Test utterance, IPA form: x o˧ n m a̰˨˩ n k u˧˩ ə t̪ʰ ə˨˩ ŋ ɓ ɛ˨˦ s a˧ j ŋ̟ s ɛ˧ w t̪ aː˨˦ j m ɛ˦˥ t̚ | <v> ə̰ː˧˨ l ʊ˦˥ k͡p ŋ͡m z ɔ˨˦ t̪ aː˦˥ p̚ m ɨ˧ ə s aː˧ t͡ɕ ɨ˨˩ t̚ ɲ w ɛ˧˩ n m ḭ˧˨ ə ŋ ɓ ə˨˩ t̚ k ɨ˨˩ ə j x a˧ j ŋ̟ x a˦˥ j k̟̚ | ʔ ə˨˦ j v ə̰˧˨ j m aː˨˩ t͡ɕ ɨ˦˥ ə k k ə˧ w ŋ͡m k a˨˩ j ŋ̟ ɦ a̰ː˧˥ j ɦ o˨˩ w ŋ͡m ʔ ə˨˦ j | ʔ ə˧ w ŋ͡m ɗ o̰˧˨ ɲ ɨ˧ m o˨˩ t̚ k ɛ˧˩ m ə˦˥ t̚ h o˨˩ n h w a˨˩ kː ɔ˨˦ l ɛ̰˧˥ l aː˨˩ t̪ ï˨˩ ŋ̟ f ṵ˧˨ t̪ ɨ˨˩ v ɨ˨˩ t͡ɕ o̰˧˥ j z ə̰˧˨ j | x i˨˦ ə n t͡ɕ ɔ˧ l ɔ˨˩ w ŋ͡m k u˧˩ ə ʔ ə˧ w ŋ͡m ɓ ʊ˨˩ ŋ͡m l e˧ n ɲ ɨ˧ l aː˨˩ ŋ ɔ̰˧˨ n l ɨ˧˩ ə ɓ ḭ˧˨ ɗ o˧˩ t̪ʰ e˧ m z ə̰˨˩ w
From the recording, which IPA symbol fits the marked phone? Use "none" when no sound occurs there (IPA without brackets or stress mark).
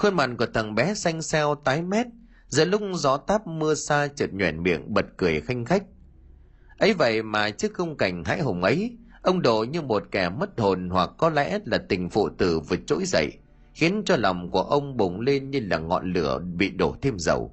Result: z